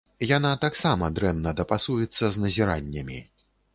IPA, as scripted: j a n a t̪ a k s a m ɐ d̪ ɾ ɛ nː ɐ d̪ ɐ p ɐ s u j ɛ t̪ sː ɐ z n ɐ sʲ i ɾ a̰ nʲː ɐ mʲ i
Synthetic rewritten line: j a n a t̪ a k s a m ɐ d̪ ɾ ɛ nː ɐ d̪ ɐ p a s u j ɛ t̪ sː ɐ z n ɐ zʲ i ɾ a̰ nʲː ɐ mʲ i